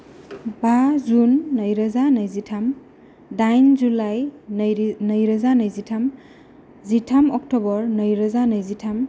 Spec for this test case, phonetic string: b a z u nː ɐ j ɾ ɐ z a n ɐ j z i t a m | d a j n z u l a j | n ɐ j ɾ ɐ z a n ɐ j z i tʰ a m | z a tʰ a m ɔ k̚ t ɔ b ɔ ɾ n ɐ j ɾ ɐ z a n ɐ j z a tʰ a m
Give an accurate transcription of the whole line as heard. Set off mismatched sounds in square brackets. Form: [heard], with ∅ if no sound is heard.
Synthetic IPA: b a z u nː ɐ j ɾ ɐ z a n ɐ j z i [tʰ] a m | d a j n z u l a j | n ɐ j ɾ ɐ z a n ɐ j z i tʰ a m | z [i] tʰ a m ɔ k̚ t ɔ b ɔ ɾ n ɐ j ɾ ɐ z a n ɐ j z [i] tʰ a m